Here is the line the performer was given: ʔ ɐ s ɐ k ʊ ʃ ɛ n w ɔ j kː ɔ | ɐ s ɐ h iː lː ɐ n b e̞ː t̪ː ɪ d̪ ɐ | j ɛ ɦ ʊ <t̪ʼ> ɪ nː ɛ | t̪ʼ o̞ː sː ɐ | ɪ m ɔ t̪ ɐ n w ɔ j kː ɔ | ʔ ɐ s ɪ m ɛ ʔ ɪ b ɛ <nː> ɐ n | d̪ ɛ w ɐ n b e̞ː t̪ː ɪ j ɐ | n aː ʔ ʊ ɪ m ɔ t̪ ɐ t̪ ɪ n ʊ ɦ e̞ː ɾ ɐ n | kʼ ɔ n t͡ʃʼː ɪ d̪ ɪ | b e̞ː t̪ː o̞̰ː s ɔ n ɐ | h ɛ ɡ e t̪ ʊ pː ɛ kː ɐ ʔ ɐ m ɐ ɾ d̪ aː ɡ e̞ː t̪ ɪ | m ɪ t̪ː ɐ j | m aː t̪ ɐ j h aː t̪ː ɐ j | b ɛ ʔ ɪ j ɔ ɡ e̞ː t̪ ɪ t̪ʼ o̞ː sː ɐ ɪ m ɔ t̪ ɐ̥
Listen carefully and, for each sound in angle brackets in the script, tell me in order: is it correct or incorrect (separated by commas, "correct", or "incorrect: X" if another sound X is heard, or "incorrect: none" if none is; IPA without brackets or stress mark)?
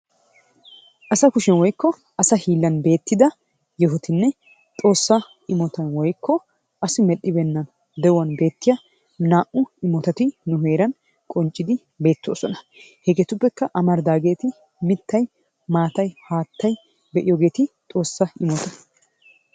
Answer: incorrect: t̪, correct